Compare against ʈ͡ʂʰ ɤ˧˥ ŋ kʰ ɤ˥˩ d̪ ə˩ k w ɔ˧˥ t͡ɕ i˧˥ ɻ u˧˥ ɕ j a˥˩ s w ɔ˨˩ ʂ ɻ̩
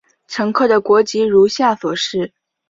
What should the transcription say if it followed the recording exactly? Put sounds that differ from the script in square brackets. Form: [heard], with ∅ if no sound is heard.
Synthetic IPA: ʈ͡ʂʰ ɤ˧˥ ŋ kʰ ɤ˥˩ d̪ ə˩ k w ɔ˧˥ t͡ɕ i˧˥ ɻ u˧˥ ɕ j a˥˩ s w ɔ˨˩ ʂ ɻ̩